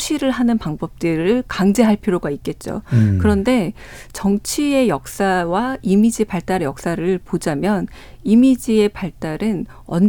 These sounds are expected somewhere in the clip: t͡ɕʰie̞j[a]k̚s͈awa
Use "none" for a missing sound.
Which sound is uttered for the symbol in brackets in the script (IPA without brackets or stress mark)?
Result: ʌ